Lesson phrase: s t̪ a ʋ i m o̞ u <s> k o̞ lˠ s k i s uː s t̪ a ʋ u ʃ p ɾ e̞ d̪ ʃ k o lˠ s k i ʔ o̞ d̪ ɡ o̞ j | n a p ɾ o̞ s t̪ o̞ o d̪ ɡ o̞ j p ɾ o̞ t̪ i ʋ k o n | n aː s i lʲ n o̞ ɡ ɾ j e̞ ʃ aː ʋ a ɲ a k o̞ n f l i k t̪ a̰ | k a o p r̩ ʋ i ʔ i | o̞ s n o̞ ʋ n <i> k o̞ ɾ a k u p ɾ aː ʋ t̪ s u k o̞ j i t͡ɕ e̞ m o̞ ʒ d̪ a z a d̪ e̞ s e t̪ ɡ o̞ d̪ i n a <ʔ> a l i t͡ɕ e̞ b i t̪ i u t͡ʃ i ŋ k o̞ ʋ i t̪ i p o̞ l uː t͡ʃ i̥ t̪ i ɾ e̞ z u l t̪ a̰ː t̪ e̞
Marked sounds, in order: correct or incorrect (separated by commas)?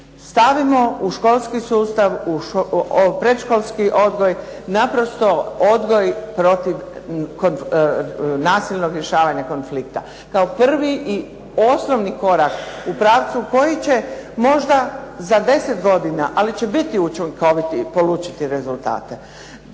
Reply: incorrect, correct, correct